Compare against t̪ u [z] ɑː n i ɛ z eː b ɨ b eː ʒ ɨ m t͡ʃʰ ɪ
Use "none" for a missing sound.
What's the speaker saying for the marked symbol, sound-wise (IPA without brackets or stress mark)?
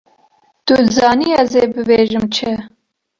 z